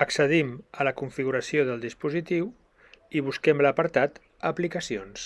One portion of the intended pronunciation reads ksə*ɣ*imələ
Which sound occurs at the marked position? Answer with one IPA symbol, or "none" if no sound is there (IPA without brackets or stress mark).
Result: ð